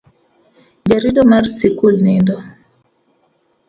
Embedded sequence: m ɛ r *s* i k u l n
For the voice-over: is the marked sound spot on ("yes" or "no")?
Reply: yes